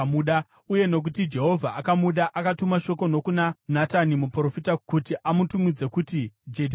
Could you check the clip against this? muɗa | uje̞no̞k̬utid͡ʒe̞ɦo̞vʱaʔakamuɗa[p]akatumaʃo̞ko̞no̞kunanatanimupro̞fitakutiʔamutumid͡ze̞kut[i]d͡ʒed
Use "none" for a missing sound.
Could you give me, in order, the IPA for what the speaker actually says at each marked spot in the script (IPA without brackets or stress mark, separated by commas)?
ʔ, i